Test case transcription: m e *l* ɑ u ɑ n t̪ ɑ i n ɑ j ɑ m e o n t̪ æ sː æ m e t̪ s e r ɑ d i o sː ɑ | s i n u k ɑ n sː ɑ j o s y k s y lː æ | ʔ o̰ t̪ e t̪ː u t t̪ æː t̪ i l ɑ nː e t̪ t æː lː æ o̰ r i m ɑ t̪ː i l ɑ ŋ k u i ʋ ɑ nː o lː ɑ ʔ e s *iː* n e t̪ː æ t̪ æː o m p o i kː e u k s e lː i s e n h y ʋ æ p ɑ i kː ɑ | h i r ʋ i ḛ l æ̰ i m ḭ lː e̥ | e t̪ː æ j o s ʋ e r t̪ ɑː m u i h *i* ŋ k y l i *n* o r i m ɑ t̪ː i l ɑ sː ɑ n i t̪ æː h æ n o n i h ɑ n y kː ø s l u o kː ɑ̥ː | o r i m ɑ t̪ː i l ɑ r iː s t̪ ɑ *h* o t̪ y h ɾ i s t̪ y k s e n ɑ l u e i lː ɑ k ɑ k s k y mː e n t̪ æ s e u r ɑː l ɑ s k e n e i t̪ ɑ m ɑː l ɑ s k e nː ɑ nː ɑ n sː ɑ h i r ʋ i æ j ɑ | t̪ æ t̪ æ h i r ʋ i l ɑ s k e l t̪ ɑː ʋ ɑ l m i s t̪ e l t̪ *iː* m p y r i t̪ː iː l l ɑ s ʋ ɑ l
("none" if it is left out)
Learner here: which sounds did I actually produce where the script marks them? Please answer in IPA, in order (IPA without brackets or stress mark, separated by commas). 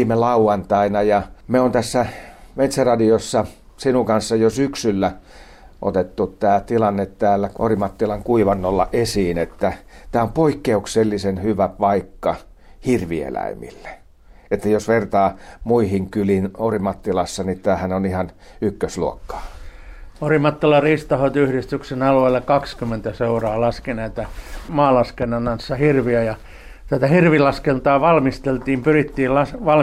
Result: l, iː, i, n, h, iː